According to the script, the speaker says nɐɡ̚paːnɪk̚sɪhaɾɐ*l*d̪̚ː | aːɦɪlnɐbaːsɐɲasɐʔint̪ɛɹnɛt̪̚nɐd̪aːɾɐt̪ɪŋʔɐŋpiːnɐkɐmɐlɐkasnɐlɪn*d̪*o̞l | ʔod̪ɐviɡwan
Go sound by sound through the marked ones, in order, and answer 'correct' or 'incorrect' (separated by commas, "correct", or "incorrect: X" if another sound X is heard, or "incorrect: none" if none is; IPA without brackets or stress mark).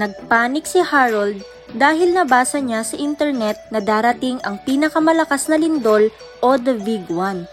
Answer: correct, correct